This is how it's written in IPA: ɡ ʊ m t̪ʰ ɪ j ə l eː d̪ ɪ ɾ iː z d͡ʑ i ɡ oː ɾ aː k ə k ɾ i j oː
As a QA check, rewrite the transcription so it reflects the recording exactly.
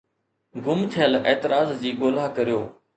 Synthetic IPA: ɡ ʊ m t̪ʰ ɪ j ə l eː t̪ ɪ ɾ aː z d͡ʑ iː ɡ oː l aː k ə ɾ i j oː